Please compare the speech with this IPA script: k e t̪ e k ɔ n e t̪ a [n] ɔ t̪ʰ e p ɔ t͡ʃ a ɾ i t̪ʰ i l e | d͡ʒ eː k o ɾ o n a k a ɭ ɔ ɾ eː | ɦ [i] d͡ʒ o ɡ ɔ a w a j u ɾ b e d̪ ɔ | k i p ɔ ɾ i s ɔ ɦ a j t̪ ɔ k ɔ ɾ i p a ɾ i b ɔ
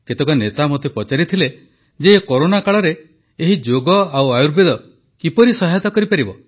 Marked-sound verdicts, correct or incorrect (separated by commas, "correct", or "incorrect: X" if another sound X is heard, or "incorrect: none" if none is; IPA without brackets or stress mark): incorrect: m, correct